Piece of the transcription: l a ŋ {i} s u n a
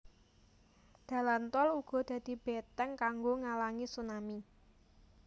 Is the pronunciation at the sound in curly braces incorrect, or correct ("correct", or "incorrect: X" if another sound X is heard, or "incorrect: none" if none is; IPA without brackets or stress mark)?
correct